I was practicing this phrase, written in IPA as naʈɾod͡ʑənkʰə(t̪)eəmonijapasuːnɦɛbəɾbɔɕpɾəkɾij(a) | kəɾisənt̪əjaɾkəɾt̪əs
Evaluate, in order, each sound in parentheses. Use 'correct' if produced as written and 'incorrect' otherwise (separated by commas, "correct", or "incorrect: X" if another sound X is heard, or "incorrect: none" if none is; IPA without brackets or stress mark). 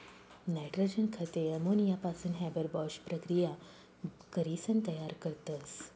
correct, correct